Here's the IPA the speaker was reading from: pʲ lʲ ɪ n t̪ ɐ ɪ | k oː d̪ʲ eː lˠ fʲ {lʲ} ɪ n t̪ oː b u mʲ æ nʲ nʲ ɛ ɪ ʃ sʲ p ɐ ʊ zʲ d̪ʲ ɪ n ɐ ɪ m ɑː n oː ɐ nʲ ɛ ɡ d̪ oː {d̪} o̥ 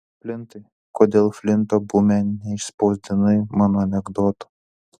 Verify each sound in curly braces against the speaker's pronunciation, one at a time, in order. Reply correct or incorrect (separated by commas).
correct, incorrect